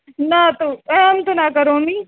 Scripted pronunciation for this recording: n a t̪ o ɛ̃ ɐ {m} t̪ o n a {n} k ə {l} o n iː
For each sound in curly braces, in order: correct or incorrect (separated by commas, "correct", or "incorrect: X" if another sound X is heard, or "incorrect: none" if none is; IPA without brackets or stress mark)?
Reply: correct, incorrect: none, incorrect: ɾ